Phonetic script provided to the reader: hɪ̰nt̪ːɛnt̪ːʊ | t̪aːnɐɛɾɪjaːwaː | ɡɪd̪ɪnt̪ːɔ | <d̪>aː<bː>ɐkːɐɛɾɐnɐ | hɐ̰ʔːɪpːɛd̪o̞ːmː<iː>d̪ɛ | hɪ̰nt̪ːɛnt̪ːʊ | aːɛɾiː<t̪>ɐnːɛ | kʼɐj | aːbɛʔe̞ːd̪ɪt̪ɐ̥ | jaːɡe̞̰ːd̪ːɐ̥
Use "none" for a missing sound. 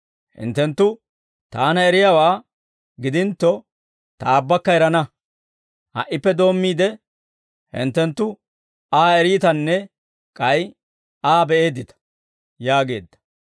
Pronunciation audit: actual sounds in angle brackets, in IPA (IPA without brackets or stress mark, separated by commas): t̪, bː, iː, t̪